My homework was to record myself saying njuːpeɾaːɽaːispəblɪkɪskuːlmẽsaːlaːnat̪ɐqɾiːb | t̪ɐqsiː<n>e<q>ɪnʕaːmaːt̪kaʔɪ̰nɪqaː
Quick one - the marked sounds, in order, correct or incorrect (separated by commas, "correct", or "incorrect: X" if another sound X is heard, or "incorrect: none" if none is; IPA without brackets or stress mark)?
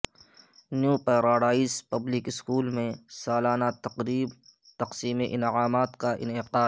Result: incorrect: m, incorrect: ʔ